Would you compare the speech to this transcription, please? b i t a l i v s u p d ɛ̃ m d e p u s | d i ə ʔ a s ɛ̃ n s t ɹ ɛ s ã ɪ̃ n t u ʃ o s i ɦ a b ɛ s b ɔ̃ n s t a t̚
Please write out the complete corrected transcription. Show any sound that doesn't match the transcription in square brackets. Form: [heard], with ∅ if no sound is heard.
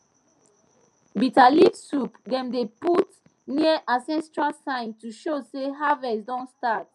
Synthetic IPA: b i t a l i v s u p d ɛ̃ m d e p u [t] | [n] i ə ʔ a s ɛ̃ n s t ɹ [a] s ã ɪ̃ n t u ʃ o s [e] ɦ a [v] ɛ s [d] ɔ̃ n s t a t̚

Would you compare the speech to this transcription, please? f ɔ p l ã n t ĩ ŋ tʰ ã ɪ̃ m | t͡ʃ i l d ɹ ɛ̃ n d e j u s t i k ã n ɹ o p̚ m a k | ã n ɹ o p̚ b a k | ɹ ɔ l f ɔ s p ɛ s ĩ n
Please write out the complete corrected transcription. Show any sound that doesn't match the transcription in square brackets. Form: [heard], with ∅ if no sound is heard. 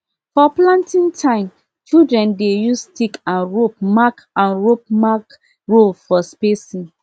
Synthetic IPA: f ɔ p l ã n t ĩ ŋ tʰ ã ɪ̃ m | t͡ʃ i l d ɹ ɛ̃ n d e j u s t i k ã n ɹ o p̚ m a k | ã n ɹ o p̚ [m] a k | ɹ [o] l f ɔ s p [e] s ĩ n

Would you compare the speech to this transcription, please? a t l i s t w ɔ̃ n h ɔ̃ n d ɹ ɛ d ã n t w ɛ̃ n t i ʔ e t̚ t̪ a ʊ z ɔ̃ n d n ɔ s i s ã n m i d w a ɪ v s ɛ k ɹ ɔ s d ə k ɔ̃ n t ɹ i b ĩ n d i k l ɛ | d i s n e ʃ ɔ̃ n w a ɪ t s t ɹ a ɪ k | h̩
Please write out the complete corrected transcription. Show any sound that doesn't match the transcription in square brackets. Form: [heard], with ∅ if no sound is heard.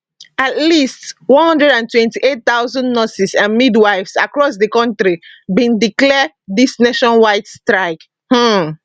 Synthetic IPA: a t l i s t w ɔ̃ n h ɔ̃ n d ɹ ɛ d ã n t w ɛ̃ n t i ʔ e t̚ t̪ a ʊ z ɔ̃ n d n ɔ s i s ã n m i d w a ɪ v s [a] k ɹ ɔ s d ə k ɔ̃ n t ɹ i b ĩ n d i k l ɛ | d i s n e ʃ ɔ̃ n w a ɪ t s t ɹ a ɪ k | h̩

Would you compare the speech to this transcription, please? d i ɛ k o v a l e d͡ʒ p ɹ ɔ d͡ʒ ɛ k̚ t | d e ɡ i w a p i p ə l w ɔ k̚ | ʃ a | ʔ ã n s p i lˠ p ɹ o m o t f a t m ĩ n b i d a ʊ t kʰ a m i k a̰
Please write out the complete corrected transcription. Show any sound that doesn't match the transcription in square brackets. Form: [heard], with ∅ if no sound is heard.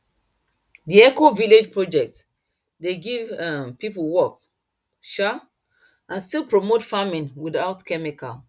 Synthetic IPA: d i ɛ k o v [i] l e d͡ʒ p ɹ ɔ d͡ʒ ɛ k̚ t | d e ɡ i [v] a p i p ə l w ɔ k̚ | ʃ a | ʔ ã n s [t] i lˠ p ɹ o m o t f a [∅] m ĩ n [w] i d a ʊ t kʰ [ɛ] m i k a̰

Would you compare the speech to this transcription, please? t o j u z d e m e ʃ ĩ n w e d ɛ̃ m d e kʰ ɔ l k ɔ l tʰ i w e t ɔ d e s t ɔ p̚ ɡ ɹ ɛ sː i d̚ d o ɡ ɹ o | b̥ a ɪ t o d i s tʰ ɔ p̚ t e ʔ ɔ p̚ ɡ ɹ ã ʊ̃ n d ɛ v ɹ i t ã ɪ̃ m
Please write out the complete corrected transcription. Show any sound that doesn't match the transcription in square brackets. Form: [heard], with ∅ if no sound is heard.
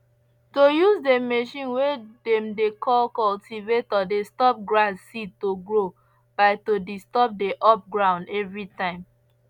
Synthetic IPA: t o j u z d e m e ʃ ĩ n w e d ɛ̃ m d e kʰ ɔ l k ɔ l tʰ i [v] e t ɔ d e s t ɔ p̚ ɡ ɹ [a] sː i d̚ [t] o ɡ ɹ o | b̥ a ɪ t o d i s [t] ɔ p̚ [d] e ʔ ɔ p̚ ɡ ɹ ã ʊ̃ n d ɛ v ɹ i t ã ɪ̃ m

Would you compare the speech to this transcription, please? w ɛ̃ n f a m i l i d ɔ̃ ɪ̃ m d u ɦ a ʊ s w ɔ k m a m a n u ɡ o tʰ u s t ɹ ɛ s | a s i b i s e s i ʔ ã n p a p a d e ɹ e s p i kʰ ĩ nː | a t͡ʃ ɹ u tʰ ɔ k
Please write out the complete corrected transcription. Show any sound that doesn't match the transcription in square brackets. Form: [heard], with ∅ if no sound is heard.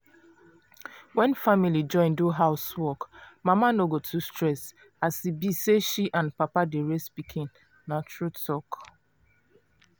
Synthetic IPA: w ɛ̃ n f a m i l i [d͡ʒ] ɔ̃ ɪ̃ [n] d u ɦ a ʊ s w ɔ k m a m a n [o] ɡ o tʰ u s t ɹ ɛ s | a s i b i s e [ʃ] i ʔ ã n p a p a d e ɹ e s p i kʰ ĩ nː | a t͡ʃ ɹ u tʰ ɔ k

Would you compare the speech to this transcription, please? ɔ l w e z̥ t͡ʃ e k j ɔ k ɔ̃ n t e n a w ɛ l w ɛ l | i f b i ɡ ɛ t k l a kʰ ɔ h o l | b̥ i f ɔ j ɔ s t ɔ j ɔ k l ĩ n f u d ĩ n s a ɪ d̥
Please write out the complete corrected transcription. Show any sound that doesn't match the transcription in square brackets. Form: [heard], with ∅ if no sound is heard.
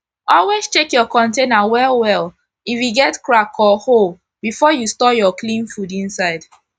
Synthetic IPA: ɔ l w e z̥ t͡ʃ e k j ɔ k ɔ̃ n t e n a w ɛ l w ɛ l | i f [w] i ɡ ɛ t k [ɹ] a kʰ ɔ h o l | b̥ i f ɔ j [u] s t ɔ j ɔ k l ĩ n f u d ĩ n s a ɪ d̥

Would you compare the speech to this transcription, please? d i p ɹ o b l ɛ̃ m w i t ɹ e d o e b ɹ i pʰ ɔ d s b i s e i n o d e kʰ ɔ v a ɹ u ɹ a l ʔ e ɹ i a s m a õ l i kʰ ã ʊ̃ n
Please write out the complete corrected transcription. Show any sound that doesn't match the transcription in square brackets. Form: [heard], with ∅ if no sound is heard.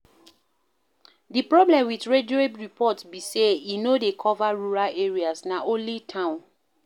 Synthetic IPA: d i p ɹ [ɔ] b l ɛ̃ m w i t ɹ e d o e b ɹ i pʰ ɔ [t] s b i s e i n o d e kʰ ɔ v a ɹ u ɹ a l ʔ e ɹ i a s [n] a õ l i [tʰ] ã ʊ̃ n

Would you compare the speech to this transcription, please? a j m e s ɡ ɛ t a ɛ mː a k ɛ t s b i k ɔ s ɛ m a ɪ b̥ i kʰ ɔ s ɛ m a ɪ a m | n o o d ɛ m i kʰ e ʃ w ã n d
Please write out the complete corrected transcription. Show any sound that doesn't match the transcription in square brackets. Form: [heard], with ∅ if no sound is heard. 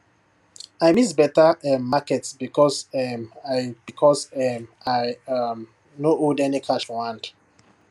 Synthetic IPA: a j m [i] s [b] ɛ t a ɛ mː a k ɛ t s b i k ɔ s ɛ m a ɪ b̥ i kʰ ɔ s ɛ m a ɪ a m | n o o d ɛ [n] i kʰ [a] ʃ w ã n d

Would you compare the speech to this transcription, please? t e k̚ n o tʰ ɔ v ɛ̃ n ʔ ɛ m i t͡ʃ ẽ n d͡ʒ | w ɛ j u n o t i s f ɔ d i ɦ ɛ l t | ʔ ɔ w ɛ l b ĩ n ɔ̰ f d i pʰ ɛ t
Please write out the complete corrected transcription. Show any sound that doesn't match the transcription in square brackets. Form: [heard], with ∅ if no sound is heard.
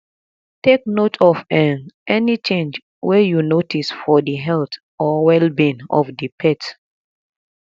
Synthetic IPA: t e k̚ n o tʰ ɔ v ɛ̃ n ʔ ɛ [n] i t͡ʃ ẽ n d͡ʒ | w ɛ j u n o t i s f ɔ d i ɦ ɛ l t | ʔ ɔ w ɛ l b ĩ n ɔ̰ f d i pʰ ɛ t

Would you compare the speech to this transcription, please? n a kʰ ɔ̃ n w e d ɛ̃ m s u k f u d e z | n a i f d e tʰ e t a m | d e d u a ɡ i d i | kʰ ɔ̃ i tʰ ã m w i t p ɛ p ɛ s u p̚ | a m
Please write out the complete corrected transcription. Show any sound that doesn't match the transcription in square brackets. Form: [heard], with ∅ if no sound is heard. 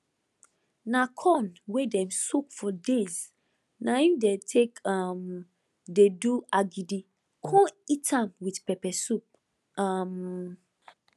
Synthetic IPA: n a kʰ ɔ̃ n w e d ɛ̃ m s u k f [ɔ] d e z | n a i f d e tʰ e [k] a m | d e d u a ɡ i d i | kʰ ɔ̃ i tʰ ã m w i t p ɛ p ɛ s u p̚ | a m

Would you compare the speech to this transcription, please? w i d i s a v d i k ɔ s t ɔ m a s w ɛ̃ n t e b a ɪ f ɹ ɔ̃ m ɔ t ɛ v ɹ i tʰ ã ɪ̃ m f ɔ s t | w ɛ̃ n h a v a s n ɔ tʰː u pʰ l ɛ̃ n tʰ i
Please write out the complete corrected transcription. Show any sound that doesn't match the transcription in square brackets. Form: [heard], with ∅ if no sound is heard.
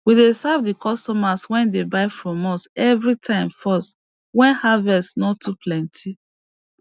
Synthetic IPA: w i d [e] s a v d i k ɔ s t ɔ m a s w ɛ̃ n [d] e b a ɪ f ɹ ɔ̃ m ɔ [s] ɛ v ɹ i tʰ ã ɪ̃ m f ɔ s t | w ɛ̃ n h a v [ɛ] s n ɔ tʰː u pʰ l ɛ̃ n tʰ i

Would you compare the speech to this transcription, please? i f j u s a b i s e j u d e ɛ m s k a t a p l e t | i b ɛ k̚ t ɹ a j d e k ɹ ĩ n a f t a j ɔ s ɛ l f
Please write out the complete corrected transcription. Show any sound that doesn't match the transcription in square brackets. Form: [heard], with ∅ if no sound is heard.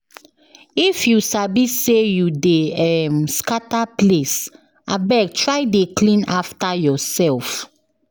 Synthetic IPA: i f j u s a b i s e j u d e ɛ m s k a t a p l e [s] | [a] b ɛ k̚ t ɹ a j d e k [l] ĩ n a f t a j ɔ s ɛ l f

